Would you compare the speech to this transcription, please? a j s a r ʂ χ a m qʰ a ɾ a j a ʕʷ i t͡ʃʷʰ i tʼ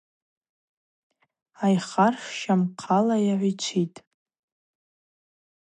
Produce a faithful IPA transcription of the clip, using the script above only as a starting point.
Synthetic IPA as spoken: a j χ a r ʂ ʃ a m qʰ a l a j a ʕʷ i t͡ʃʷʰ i tʼ